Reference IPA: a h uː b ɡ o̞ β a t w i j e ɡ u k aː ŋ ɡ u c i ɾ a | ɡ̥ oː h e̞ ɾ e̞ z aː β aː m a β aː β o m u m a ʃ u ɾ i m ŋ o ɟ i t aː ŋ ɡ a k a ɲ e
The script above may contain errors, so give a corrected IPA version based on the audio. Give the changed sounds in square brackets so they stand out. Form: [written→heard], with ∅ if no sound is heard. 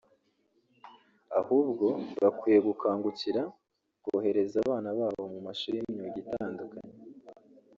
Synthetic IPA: a h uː b ɡ o̞ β a [t→k] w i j e ɡ u k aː ŋ ɡ u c i ɾ a | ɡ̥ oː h e̞ ɾ e̞ z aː β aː [m→n] a β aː β o m u m a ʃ u ɾ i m [ŋ→ɲ] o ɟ i t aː ŋ ɡ a k a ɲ e